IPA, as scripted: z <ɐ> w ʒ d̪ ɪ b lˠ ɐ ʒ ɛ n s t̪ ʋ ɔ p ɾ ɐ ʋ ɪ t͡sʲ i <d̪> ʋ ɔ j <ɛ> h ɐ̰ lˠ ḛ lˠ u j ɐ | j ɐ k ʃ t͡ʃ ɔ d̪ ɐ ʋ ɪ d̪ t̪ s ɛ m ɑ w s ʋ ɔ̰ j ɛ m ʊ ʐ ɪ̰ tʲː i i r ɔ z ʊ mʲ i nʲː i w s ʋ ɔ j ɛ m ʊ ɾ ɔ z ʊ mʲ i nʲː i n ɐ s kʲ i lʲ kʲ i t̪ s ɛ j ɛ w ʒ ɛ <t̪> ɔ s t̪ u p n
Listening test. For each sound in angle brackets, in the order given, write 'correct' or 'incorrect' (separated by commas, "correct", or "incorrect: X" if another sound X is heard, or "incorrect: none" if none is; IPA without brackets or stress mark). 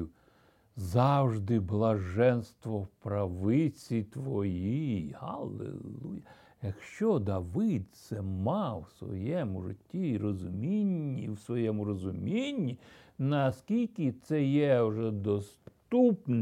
incorrect: ɑ, incorrect: t̪, incorrect: i, incorrect: d̪